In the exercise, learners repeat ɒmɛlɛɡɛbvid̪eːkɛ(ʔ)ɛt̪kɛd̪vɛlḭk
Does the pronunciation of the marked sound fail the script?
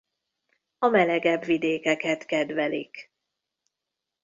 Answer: yes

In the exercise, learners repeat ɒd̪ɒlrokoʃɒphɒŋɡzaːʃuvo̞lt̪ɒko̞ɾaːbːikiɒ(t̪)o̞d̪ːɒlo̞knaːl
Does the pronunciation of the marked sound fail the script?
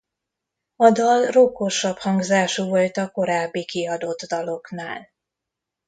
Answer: yes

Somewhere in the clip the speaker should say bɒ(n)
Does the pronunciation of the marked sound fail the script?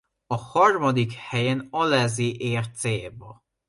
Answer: yes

